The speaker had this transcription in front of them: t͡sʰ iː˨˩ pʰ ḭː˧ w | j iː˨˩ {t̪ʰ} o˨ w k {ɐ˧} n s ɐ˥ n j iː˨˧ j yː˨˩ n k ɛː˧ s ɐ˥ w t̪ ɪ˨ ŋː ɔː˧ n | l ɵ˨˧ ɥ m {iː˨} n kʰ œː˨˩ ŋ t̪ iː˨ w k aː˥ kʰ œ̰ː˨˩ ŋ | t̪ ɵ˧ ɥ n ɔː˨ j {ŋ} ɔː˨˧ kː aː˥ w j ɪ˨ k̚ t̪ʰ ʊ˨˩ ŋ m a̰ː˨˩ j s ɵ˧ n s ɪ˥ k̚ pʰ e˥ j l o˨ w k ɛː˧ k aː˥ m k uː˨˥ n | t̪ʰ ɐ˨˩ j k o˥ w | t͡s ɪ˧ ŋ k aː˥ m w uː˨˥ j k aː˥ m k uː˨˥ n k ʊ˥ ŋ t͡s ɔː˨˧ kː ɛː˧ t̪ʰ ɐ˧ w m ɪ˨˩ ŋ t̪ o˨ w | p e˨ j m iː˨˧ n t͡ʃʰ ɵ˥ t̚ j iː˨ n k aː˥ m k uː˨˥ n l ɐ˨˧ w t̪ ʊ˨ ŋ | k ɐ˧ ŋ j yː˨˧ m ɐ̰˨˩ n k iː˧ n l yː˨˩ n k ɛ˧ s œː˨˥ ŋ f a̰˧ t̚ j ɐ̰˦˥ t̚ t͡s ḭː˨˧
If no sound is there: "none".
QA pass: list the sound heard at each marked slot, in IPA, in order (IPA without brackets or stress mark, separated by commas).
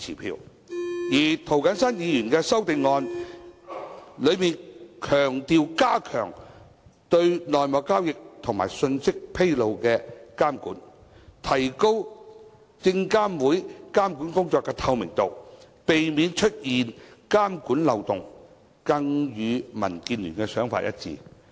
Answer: t̪ʰ, ɐ˨˥, iː˨, m